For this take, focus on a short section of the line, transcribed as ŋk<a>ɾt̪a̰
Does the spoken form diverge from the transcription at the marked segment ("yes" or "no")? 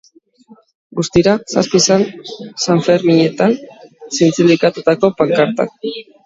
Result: no